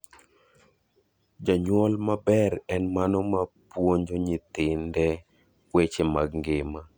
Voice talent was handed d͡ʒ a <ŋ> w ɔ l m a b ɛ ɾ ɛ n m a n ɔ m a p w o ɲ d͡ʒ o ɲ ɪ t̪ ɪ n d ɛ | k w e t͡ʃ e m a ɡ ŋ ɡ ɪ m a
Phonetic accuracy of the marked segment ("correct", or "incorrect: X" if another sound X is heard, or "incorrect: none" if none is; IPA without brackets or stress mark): incorrect: ɲ